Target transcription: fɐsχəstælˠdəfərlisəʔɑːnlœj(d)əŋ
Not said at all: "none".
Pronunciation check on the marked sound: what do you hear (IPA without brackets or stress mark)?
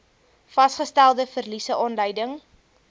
d